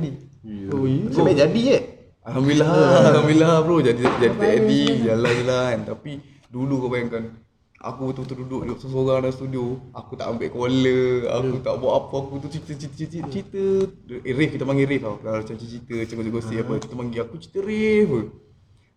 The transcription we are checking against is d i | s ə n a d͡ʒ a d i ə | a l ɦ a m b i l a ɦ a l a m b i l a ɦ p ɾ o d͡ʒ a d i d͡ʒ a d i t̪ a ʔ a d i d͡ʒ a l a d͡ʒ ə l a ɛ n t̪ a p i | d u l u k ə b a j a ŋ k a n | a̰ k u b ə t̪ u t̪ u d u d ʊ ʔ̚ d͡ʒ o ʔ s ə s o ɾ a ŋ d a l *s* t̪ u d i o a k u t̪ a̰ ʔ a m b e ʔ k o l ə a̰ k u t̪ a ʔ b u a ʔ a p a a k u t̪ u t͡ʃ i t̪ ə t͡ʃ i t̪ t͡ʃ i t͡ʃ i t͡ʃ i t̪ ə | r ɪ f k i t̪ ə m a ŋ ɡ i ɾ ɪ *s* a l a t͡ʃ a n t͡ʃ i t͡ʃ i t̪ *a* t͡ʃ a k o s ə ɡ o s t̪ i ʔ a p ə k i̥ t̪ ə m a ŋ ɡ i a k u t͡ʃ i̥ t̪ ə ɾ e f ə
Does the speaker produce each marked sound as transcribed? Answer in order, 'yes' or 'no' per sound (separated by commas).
yes, no, no